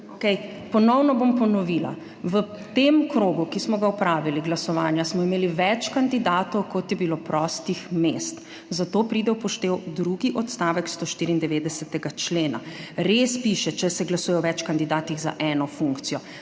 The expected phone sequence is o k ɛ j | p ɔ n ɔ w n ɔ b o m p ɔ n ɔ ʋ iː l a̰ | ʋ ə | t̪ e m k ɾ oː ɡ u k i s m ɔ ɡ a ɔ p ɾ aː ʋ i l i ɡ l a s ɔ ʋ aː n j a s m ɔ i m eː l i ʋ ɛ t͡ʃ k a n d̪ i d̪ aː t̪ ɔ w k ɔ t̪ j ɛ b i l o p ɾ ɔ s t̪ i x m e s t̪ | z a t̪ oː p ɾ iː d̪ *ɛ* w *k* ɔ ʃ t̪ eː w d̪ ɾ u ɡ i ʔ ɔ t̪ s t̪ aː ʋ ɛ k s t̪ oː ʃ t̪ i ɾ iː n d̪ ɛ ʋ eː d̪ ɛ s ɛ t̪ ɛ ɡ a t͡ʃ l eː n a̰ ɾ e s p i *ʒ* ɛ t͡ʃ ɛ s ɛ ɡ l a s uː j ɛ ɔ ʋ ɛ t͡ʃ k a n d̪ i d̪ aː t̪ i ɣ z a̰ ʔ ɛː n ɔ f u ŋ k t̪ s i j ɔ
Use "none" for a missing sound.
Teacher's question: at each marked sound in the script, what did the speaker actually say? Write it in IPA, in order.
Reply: ɛ, p, ʃ

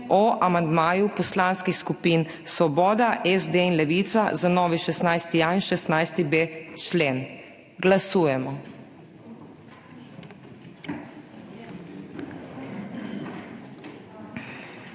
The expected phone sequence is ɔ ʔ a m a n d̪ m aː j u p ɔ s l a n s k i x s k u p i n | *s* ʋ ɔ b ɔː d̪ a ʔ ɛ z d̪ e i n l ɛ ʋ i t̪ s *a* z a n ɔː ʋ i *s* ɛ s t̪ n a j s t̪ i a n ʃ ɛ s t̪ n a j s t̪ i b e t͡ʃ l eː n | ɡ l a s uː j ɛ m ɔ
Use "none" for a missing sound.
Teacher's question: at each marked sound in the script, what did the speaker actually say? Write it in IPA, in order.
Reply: s, a, ʃ

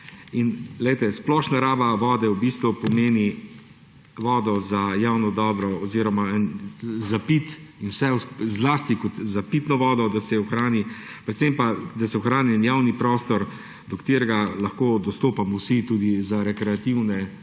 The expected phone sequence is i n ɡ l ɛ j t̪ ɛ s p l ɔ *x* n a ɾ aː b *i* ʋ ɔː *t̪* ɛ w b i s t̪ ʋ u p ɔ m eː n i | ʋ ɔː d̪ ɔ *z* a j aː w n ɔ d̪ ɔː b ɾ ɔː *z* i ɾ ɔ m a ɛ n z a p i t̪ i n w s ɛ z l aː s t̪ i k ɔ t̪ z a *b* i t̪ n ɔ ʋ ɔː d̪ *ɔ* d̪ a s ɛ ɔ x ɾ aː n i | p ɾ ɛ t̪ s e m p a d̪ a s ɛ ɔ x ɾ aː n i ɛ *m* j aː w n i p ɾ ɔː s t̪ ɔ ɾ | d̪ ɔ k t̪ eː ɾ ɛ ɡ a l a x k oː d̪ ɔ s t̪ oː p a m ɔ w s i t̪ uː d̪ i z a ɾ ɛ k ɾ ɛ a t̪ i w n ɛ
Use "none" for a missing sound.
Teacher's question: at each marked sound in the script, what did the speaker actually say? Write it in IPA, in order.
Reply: ʃ, a, d̪, z, z, p, ɔ, n

